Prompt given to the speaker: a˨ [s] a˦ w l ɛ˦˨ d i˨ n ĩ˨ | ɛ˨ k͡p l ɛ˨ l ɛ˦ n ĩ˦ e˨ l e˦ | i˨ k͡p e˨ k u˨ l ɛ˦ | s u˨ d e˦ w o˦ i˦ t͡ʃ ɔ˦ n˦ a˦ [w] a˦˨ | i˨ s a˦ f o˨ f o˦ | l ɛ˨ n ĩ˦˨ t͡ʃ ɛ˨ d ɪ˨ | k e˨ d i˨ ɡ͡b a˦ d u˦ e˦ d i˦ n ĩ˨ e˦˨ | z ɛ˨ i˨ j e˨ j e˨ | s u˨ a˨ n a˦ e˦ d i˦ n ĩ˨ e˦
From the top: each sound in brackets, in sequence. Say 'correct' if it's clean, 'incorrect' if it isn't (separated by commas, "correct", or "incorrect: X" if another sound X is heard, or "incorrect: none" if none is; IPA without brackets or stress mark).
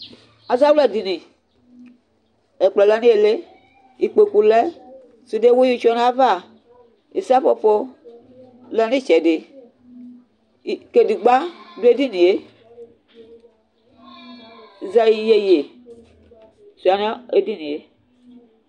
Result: incorrect: z, incorrect: v